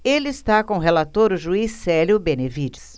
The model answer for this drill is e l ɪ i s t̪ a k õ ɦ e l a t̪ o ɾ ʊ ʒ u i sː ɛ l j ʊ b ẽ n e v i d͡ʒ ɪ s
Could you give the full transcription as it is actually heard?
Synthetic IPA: e l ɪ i s t̪ a k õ ɦ e l a t̪ o ɾ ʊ ʒ u i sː ɛ l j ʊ b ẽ n e v i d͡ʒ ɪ s